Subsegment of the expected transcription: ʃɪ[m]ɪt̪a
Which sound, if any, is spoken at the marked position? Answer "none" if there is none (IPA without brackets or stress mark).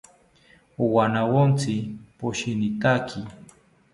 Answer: n